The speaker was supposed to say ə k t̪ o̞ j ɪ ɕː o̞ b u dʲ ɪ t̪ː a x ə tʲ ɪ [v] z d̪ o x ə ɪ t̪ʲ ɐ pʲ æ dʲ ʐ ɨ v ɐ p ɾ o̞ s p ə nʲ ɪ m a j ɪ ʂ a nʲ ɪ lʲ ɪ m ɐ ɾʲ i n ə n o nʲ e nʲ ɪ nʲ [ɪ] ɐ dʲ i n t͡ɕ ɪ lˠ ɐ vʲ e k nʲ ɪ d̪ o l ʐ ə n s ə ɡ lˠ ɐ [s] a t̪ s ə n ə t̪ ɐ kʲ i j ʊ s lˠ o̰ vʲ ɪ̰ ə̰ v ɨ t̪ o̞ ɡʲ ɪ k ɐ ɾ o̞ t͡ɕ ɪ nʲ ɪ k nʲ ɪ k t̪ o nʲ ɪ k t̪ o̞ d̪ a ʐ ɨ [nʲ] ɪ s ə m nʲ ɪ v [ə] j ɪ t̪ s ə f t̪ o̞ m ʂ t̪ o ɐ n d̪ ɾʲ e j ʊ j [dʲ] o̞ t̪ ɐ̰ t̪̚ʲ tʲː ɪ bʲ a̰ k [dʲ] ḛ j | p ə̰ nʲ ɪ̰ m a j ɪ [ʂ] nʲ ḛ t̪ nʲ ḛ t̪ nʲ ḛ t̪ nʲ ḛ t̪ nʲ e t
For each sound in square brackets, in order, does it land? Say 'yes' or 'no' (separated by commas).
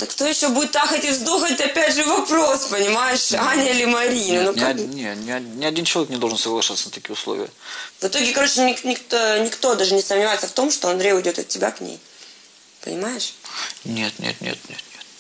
yes, yes, no, yes, no, yes, no, yes